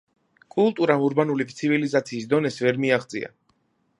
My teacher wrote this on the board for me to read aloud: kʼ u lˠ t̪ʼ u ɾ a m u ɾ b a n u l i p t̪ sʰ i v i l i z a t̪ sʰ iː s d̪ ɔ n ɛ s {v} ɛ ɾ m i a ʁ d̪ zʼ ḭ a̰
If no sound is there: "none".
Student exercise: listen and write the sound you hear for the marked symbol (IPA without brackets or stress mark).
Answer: v